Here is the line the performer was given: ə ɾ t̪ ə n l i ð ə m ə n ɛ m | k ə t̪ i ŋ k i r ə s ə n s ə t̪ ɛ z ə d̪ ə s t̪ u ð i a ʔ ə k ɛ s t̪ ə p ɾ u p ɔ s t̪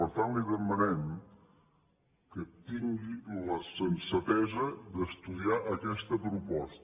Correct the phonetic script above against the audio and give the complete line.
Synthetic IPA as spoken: ə ɾ t̪ a n l i ð ə m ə n ɛ m | k ə t̪ i ŋ ɡ i l ə s ə n s ə t̪ ɛ z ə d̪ ə s t̪ u ð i a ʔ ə k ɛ s t̪ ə p ɾ u p ɔ s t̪